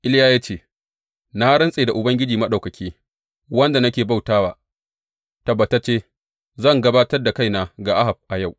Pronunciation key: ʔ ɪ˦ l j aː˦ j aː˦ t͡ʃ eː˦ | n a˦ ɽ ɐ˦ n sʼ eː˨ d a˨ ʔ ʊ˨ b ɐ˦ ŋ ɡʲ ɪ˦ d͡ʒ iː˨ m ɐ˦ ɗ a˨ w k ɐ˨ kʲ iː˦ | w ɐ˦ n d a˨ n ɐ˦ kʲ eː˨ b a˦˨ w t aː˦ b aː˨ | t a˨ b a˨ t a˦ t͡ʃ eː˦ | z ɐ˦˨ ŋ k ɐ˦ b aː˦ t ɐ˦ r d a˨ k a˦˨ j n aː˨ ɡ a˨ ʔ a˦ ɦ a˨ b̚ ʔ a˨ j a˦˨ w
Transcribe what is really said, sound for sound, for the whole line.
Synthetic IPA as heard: ʔ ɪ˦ l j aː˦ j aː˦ t͡ʃ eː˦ | n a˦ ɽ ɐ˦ n sʼ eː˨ d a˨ ʔ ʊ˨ b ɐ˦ ŋ ɡʲ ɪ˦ d͡ʒ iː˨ m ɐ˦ ɗ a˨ w k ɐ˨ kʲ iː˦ | w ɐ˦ n d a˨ n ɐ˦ kʲ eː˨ b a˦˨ w t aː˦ w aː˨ | t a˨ b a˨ t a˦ t͡ʃ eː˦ | z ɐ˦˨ ŋ ɡ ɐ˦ b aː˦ t ɐ˦ r d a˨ k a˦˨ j n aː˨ ɡ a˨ ʔ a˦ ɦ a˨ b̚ ʔ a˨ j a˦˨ w